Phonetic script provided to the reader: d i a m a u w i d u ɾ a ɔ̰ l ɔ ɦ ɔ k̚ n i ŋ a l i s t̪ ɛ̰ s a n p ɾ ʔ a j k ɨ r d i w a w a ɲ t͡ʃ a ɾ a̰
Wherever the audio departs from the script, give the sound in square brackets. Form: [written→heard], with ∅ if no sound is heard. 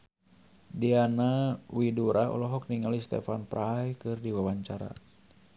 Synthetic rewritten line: d i a [m→n] a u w i d u ɾ a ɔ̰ l ɔ ɦ ɔ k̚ n i ŋ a l i s t̪ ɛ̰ [s→f] a n p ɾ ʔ a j k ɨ r d i w a w a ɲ t͡ʃ a ɾ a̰

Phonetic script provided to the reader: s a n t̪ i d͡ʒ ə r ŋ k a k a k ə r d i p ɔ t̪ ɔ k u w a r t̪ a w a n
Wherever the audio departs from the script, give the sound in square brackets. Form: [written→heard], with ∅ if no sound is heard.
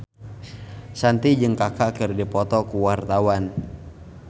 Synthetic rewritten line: s a n t̪ i d͡ʒ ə [r→∅] ŋ k a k a k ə r d i p ɔ t̪ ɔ k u w a r t̪ a w a n

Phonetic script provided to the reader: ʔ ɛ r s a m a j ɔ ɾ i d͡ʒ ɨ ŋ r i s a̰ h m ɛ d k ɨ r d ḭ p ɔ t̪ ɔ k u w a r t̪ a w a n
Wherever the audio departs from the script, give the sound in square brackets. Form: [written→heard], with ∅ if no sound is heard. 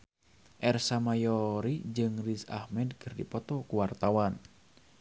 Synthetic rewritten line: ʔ ɛ r s a m a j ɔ ɾ i d͡ʒ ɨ ŋ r i s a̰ h m ɛ d k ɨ r d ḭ p ɔ t̪ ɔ k u w a r t̪ a w a n

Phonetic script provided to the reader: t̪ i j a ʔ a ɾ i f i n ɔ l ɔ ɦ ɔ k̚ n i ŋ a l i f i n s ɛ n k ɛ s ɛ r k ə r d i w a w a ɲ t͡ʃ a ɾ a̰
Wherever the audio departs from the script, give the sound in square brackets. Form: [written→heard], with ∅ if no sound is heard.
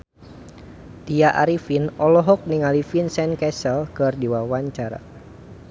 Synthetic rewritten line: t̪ i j a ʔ a ɾ i f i n ɔ l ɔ ɦ ɔ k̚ n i ŋ a l i f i n s ɛ n k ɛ s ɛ [r→l] k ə r d i w a w a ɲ t͡ʃ a ɾ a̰

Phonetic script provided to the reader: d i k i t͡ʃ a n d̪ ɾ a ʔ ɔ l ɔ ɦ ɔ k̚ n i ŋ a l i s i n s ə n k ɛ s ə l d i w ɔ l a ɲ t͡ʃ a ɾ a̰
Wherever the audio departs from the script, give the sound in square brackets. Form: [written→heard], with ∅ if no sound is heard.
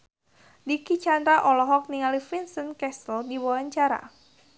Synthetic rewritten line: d i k i t͡ʃ a n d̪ ɾ a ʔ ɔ l ɔ ɦ ɔ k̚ n i ŋ a l i [s→f] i n s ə n k ɛ s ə l d i w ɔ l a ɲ t͡ʃ a ɾ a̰

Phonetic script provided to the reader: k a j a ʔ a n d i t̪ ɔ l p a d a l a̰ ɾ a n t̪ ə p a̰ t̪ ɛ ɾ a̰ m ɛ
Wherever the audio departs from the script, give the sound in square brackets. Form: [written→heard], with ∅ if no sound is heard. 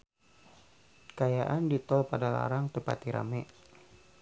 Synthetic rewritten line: k a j a ʔ a n d i t̪ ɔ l p a d a l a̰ ɾ a [n→ŋ] t̪ ə p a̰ t̪ [ɛ→i] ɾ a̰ m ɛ

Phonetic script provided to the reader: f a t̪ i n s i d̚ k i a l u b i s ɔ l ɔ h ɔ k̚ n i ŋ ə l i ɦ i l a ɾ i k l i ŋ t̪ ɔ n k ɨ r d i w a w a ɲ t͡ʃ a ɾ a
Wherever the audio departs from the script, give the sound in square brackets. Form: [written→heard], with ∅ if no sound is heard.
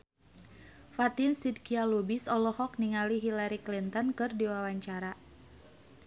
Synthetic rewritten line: f a t̪ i n s i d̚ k i a l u b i s ɔ l ɔ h ɔ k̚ n i ŋ [ə→a] l i ɦ i l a ɾ i k l i [ŋ→n] t̪ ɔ n k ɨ r d i w a w a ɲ t͡ʃ a ɾ a

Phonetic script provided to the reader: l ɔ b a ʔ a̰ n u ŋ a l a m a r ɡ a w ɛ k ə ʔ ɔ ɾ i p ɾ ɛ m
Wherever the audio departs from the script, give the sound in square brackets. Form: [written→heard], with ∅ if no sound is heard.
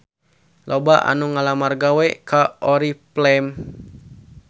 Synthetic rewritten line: l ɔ b a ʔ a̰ n u ŋ a l a m a r ɡ a w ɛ k [ə→a] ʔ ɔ ɾ i p [ɾ→l] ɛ m

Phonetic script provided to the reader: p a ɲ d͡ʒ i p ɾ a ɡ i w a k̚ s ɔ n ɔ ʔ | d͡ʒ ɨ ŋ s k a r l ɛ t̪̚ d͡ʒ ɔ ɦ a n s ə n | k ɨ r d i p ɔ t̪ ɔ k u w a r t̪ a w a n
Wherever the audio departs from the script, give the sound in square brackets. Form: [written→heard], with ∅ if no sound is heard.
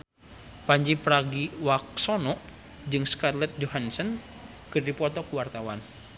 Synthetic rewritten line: p a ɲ d͡ʒ i p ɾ a ɡ i w a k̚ s ɔ n ɔ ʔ | d͡ʒ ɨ ŋ s k a r l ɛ t̪̚ d͡ʒ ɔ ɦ a n s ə n | k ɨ r d i p ɔ t̪ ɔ k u w a r t̪ a w a n

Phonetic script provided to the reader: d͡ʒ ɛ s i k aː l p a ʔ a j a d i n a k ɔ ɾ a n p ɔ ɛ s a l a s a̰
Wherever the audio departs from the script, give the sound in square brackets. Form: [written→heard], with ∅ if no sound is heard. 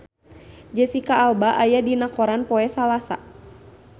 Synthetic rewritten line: d͡ʒ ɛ s i k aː l [p→b] a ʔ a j a d i n a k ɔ ɾ a n p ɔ ɛ s a l a s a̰

